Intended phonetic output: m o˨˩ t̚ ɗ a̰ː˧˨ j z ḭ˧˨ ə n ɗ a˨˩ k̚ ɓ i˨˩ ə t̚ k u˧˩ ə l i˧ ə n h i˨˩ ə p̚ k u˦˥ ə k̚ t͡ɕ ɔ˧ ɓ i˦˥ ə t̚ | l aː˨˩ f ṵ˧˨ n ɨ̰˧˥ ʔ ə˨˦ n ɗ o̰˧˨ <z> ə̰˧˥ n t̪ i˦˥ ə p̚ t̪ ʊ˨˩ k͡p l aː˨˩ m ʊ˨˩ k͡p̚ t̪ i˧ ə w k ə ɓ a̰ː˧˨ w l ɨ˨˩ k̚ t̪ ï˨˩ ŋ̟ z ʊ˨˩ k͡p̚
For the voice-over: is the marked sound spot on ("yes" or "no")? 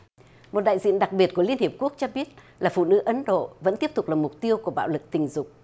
no